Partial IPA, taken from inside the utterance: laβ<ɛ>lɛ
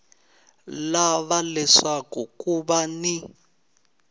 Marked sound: incorrect: a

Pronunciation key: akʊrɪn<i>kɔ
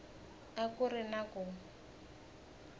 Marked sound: incorrect: a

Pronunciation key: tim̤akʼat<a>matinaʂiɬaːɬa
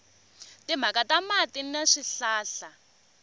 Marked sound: correct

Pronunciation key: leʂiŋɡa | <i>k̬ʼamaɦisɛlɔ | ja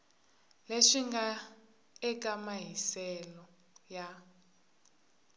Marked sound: incorrect: ɛ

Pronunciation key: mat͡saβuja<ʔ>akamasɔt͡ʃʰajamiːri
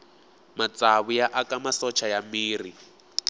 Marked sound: correct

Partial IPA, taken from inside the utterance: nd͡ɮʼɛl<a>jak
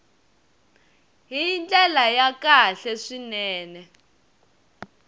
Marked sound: correct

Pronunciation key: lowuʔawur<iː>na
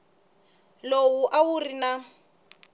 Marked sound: incorrect: i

